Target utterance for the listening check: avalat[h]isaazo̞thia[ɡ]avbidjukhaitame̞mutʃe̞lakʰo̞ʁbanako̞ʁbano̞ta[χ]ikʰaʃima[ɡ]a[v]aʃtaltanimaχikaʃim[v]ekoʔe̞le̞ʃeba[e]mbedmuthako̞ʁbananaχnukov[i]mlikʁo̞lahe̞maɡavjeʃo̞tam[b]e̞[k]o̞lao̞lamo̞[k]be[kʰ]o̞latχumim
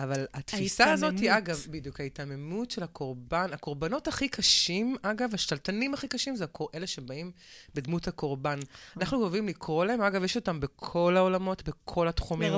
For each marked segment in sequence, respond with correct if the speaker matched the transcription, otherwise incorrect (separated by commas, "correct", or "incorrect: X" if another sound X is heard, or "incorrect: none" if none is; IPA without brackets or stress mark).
incorrect: f, correct, correct, correct, correct, incorrect: z, incorrect: i, correct, correct, incorrect: kʰ, incorrect: t, correct